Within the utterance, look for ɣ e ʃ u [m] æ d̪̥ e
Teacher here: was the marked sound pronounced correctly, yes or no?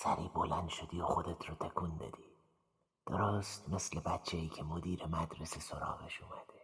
yes